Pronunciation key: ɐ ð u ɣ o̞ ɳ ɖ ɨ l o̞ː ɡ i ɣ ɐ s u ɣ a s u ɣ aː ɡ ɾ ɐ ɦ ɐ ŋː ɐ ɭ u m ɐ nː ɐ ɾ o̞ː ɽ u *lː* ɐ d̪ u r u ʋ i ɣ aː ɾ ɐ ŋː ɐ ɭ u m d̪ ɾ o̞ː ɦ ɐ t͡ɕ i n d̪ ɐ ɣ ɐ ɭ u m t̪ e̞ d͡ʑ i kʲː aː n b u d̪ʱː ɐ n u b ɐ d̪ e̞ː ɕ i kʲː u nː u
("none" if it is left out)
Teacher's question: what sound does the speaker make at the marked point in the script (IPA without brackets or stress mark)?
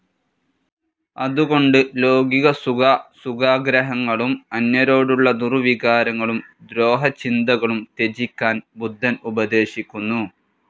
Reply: ɭː